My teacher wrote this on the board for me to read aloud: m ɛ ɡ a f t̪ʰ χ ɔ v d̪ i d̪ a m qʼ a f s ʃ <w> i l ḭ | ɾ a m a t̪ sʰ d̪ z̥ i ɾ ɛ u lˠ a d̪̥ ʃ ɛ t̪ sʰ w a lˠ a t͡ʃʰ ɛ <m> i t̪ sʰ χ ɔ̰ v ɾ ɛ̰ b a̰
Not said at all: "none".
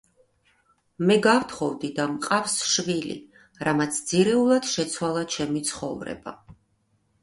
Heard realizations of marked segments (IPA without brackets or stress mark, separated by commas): v, m